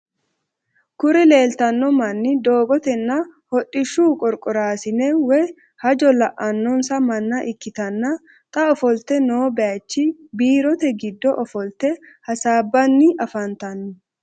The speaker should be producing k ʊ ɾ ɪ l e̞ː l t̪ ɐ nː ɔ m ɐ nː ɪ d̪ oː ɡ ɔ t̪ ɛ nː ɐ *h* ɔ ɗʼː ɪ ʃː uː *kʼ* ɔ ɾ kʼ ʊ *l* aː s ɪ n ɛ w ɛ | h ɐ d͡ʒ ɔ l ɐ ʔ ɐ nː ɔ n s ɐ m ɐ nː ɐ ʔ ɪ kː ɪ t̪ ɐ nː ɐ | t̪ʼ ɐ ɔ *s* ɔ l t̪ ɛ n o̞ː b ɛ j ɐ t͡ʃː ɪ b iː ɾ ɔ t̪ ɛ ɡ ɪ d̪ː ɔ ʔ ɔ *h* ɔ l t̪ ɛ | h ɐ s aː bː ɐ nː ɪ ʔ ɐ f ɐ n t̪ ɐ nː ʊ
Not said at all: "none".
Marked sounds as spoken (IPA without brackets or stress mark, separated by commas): h, kʼ, ɾ, f, f